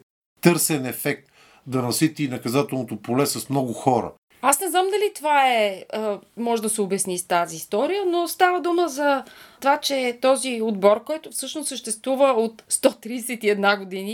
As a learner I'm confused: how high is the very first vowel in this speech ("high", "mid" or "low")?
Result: mid